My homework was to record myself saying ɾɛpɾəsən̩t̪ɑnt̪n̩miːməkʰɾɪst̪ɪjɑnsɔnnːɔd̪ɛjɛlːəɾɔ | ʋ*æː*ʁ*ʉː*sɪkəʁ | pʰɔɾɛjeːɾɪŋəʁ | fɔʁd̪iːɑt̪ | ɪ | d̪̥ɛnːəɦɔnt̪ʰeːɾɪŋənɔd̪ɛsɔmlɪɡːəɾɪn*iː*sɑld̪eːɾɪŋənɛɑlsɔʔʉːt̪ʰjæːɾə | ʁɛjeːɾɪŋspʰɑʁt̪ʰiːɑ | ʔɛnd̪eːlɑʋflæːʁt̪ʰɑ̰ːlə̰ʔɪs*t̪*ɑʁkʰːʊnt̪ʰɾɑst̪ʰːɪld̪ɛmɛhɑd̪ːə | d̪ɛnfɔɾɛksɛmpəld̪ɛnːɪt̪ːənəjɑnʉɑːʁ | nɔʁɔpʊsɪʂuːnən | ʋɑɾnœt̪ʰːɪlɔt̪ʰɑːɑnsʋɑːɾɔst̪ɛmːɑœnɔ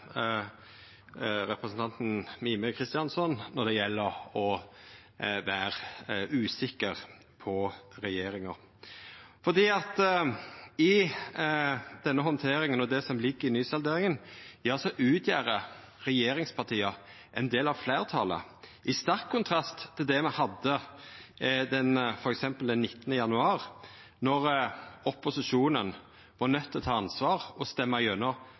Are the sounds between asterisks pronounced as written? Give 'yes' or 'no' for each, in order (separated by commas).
yes, yes, no, yes